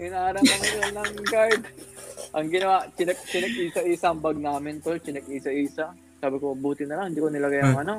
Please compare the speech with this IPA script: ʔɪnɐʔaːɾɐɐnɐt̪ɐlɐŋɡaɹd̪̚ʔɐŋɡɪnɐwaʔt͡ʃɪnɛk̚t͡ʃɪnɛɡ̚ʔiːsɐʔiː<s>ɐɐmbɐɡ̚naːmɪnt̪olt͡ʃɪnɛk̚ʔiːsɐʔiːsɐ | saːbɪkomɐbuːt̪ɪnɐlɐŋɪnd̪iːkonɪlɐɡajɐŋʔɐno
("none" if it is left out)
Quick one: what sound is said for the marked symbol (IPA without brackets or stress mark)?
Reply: s